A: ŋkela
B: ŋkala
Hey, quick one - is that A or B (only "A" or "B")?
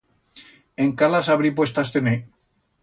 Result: B